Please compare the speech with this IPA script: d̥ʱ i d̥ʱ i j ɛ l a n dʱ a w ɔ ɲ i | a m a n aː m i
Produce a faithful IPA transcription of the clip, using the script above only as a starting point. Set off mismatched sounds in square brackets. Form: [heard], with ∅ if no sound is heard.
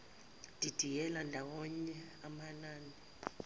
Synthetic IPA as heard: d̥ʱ i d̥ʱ i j ɛ l a n dʱ a w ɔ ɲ [ɛ] | a m a n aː [n] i